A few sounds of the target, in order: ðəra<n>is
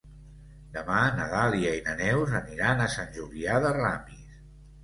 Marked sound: incorrect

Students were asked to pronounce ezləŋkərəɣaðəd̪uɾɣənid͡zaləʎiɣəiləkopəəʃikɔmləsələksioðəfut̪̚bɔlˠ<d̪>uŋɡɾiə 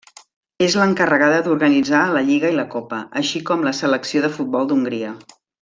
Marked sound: correct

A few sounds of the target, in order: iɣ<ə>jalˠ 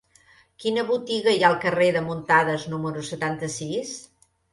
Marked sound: correct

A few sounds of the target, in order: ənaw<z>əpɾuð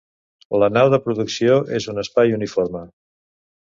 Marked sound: incorrect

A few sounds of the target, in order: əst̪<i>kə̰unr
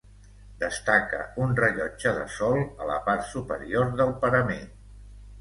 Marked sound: incorrect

